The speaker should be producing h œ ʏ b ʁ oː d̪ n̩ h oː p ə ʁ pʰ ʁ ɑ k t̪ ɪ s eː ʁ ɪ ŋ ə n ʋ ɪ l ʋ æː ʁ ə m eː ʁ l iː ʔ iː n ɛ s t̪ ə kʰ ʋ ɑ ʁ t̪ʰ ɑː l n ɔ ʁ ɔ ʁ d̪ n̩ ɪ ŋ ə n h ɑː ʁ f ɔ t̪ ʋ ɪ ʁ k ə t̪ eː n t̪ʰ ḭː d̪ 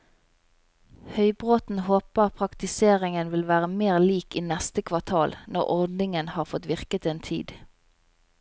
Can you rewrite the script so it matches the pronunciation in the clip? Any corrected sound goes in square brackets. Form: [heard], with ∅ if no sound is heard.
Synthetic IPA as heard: h œ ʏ b ʁ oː [t̪] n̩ h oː p ə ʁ pʰ ʁ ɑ k t̪ ɪ s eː ʁ ɪ ŋ ə n ʋ ɪ l ʋ æː ʁ ə m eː ʁ l iː [k] iː n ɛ s t̪ ə kʰ ʋ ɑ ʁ t̪ʰ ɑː l n ɔ ʁ ɔ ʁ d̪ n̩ ɪ ŋ ə n h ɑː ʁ f ɔ t̪ ʋ ɪ ʁ k ə t̪ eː n t̪ʰ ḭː d̪